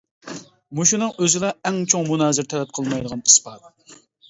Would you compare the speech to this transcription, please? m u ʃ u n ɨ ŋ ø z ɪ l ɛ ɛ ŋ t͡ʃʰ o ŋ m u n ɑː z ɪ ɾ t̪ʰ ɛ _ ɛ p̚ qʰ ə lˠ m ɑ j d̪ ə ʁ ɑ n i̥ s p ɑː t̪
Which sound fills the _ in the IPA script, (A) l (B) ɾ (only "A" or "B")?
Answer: A